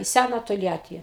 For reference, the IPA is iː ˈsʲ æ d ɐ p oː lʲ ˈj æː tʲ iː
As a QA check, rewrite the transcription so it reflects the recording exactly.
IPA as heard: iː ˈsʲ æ n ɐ t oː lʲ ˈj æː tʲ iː